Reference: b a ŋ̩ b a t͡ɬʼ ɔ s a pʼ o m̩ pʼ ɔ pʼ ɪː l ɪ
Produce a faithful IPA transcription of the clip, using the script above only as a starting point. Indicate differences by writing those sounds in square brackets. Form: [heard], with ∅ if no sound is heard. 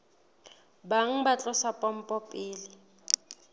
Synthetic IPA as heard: b a ŋ̩ b a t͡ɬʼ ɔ s a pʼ [ɔ] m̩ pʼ ɔ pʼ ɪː l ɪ